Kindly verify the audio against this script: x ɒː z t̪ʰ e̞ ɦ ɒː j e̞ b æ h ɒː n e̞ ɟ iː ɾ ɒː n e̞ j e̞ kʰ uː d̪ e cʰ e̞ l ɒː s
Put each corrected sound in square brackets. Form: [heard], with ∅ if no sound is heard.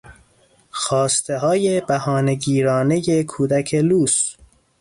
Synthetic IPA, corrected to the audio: x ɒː [s] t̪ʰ e̞ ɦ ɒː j e̞ b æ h ɒː n e̞ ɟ iː ɾ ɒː n e̞ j e̞ kʰ uː d̪ [æ] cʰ e̞ l [uː] s